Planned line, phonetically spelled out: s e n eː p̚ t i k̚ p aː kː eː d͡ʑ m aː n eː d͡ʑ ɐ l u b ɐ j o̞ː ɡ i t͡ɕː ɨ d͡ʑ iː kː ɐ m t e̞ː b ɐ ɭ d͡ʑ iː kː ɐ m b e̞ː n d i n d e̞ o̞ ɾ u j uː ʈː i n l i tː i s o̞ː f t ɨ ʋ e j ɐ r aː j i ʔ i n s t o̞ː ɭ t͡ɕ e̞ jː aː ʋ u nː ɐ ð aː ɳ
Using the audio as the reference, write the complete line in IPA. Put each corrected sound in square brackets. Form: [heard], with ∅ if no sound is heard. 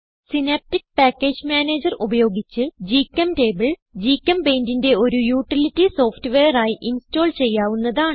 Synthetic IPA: s [i] n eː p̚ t i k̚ p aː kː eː d͡ʑ m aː n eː d͡ʑ ɐ [r] u b ɐ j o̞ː ɡ i t͡ɕː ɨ d͡ʑ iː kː ɐ m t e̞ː b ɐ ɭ d͡ʑ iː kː ɐ m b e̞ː n d i n d e̞ o̞ ɾ u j uː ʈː i [∅] l i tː i s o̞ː f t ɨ ʋ e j ɐ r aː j i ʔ i n s t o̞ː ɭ t͡ɕ e̞ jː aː ʋ u nː ɐ ð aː ɳ